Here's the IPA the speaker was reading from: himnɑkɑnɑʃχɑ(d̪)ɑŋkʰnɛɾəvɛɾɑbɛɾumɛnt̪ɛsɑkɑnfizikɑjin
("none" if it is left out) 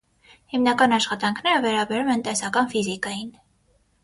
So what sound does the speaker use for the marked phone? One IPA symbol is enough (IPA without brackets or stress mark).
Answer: t̪